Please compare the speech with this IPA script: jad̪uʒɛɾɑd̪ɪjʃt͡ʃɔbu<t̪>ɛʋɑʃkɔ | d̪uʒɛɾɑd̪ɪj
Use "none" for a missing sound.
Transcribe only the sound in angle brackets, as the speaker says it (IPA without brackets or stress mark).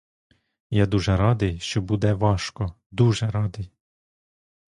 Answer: d̪